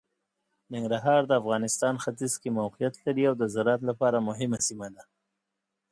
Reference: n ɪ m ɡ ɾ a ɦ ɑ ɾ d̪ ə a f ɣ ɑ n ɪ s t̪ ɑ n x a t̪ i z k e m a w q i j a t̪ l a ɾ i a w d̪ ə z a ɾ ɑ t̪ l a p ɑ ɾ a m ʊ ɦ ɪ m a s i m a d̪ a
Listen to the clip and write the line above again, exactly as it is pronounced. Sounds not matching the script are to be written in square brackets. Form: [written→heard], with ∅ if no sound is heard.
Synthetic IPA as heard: n ɪ [m→ŋ] ɡ ɾ a ɦ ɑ ɾ d̪ ə a f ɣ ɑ n ɪ s t̪ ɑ n x a t̪ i z k e m a w q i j a t̪ l a ɾ i a w d̪ ə z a ɾ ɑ t̪ l a p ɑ ɾ a m ʊ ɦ ɪ m a s i m a d̪ a